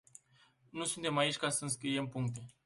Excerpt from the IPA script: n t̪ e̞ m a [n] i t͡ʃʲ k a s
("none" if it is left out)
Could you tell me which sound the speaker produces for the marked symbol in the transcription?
none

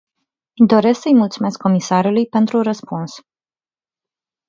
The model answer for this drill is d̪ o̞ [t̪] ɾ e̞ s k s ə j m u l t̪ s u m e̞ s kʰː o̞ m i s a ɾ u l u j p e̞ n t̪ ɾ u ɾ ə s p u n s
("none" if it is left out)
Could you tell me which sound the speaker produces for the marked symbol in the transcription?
none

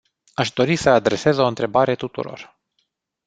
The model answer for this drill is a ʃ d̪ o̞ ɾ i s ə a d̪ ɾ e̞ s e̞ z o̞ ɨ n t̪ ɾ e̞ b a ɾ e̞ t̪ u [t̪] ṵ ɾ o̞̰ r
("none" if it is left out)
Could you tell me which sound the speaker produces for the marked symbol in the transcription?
t̪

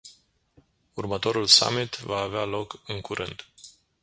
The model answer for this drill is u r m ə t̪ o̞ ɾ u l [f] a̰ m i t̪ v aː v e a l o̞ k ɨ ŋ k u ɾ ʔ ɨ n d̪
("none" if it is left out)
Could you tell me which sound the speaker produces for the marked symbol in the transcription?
s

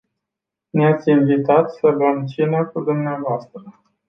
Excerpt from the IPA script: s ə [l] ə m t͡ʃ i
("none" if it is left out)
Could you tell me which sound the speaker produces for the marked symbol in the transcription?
l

